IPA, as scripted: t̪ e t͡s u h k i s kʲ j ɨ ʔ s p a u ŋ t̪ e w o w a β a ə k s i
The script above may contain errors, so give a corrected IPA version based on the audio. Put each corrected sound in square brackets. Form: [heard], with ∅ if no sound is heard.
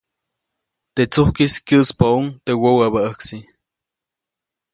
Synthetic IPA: t̪ e t͡s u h k i s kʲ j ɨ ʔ s p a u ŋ t̪ e w o w a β a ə k s i